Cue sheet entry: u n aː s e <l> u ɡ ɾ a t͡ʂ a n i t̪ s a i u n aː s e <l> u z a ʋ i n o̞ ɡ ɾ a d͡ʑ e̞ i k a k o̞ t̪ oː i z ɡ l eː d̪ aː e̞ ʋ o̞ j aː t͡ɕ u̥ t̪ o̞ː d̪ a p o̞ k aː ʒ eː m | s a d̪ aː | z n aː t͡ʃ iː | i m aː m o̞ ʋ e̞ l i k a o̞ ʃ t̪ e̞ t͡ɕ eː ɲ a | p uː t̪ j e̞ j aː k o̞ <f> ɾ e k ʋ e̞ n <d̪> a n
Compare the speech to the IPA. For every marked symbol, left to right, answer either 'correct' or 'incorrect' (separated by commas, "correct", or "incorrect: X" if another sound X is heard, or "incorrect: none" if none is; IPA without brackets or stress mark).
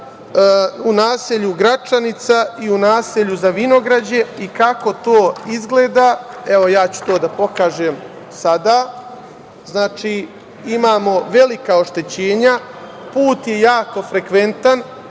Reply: incorrect: ʎ, incorrect: ʎ, correct, incorrect: t̪